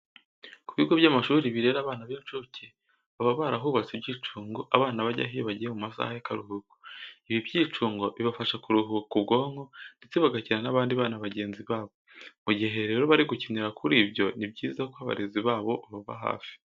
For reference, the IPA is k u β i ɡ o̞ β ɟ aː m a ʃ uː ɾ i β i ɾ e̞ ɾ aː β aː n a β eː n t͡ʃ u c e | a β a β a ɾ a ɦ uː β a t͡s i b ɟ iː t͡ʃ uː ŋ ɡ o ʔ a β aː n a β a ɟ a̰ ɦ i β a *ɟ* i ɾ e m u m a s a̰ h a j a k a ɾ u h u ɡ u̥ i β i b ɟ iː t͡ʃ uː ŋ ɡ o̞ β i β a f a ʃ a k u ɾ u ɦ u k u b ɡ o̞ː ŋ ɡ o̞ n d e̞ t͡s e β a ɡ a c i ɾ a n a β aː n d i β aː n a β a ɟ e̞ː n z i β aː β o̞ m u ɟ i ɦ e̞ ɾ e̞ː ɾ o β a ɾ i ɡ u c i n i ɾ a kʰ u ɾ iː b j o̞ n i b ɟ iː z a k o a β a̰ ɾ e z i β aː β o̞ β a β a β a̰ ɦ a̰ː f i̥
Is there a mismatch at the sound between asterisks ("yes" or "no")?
no